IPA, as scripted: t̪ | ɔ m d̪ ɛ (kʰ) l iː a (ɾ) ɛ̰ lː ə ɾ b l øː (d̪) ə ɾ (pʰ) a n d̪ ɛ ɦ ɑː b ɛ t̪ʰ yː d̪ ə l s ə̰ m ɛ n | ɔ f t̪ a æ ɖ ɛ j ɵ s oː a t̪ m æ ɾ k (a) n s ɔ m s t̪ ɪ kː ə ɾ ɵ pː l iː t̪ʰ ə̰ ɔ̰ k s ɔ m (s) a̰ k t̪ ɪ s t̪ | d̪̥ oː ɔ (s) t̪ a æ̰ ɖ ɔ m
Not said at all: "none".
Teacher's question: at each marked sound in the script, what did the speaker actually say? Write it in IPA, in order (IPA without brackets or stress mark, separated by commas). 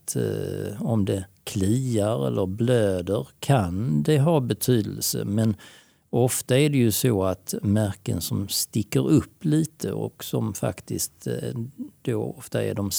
kʰ, ɾ, d̪, kʰ, ə, f, f